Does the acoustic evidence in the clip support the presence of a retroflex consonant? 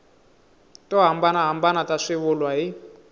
yes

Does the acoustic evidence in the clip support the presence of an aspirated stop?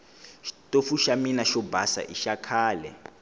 yes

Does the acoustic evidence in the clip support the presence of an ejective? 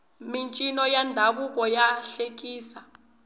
yes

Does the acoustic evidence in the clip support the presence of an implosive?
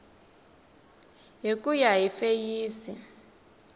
no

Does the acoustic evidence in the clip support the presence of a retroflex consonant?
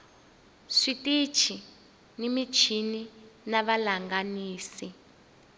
yes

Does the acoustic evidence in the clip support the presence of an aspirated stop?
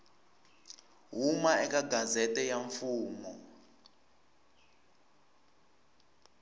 no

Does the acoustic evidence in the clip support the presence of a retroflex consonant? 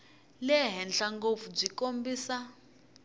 yes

